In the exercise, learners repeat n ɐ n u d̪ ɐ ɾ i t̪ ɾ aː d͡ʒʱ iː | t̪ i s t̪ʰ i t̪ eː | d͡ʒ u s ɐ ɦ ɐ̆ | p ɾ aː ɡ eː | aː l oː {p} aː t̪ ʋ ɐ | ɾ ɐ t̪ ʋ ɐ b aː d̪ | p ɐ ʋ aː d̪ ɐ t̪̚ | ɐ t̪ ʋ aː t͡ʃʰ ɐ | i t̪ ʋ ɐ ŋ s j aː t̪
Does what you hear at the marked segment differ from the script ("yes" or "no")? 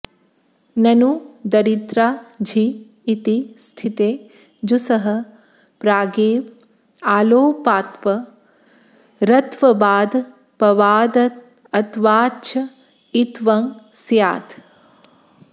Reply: no